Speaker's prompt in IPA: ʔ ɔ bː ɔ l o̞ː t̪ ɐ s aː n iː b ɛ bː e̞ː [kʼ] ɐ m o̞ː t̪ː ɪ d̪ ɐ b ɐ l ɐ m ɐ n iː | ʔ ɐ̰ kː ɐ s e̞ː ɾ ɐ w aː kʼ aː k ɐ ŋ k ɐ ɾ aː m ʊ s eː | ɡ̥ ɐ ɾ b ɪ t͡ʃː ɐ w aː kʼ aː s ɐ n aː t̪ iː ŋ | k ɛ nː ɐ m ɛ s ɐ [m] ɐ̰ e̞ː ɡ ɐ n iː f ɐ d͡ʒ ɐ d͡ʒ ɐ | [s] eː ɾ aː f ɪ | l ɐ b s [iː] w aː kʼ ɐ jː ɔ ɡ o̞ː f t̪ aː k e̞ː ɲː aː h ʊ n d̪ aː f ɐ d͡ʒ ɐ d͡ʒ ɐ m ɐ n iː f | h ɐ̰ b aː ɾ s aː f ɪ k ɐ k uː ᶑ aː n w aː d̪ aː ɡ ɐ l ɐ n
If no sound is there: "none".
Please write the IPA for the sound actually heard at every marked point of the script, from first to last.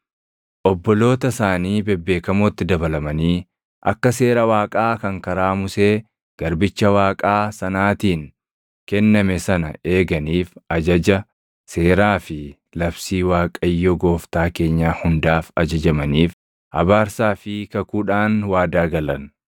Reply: k, n, s, iː

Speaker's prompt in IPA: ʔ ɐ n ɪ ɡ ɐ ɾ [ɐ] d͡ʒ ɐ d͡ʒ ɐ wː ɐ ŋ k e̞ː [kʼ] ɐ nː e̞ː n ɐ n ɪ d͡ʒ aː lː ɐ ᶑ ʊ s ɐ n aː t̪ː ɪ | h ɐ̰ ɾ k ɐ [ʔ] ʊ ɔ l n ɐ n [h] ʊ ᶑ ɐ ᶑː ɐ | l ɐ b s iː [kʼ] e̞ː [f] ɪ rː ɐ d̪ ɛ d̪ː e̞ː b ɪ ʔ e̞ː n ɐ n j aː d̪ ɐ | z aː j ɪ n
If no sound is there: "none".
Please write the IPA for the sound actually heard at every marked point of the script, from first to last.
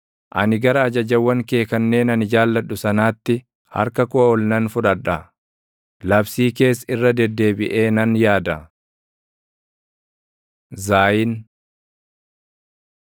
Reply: ɐː, k, k, f, k, s

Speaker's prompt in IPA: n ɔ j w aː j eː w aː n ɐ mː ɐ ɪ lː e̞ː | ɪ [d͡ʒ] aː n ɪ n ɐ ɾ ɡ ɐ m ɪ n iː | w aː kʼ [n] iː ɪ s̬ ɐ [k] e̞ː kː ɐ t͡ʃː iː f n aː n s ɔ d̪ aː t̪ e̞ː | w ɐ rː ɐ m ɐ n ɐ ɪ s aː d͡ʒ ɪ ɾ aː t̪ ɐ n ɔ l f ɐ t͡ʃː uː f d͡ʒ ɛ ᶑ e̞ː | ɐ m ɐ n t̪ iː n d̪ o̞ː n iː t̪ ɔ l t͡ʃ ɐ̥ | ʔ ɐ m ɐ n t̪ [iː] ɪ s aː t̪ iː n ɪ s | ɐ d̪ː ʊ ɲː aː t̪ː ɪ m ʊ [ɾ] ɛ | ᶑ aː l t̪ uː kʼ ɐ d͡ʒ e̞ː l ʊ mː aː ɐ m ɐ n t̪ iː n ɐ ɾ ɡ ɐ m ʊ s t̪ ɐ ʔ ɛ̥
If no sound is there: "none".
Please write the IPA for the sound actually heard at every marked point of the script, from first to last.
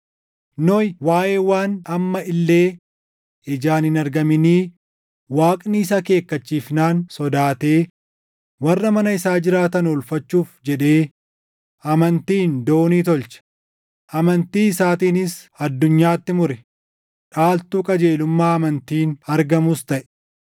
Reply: d͡ʒ, n, k, iː, ɾ

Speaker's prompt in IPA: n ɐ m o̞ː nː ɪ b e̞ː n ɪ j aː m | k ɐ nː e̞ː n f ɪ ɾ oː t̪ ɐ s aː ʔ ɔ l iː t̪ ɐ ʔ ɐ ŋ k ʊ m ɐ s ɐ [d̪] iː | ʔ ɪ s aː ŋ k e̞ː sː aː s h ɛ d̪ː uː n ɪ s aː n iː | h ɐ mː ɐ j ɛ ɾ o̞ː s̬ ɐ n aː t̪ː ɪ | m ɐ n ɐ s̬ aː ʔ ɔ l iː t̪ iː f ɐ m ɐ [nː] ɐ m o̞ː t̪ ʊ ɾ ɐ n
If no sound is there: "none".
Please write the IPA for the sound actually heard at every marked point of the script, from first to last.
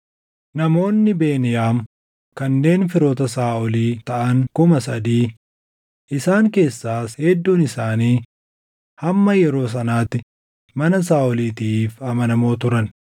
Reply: d̪, n

